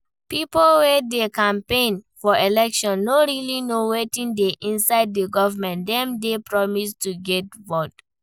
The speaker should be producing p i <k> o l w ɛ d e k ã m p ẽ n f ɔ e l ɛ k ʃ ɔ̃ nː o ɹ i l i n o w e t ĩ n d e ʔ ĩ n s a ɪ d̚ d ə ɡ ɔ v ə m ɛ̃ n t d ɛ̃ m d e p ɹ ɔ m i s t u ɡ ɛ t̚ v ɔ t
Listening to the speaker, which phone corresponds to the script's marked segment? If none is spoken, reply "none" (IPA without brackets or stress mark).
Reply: p